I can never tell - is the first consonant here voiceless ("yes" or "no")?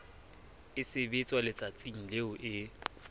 yes